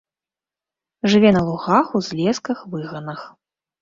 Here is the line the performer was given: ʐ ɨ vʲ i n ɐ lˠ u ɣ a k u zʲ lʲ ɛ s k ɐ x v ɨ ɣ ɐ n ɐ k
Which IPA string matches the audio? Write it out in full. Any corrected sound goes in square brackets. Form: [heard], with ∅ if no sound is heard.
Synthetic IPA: ʐ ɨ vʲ [ɛ] n ɐ lˠ u ɣ a [x] u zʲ lʲ ɛ s k ɐ x v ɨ ɣ ɐ n ɐ [x]